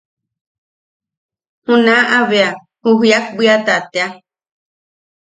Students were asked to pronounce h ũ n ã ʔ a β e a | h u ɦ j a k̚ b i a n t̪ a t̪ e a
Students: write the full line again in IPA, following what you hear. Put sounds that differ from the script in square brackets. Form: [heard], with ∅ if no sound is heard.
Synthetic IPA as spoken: h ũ n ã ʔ a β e a | h u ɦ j a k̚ b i a [∅] t̪ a t̪ e a